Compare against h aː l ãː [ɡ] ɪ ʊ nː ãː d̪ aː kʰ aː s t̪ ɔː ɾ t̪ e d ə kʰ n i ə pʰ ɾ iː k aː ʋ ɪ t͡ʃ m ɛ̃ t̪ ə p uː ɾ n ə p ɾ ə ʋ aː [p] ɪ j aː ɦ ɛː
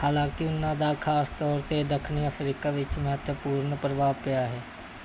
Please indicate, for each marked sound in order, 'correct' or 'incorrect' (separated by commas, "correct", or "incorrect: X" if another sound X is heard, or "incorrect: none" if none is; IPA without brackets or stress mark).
incorrect: k, correct